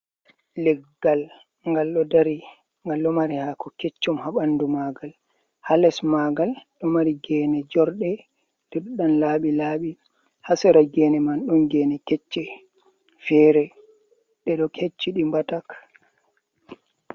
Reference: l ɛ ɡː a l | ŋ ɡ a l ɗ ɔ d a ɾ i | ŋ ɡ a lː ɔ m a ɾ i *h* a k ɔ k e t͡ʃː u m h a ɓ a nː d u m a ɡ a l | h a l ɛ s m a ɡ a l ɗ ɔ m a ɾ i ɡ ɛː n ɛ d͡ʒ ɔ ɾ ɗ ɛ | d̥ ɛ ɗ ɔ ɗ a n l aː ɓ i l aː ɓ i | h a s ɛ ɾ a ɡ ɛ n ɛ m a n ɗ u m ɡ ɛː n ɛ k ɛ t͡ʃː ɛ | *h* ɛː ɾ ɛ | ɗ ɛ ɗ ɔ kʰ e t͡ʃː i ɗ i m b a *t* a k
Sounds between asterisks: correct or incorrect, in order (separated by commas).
correct, incorrect, correct